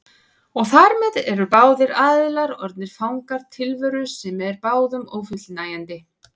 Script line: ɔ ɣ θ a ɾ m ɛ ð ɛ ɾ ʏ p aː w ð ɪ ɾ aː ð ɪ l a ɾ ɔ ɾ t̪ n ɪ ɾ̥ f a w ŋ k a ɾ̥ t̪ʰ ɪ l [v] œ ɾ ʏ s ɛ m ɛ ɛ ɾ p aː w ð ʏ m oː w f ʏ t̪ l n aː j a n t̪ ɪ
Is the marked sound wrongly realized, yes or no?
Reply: no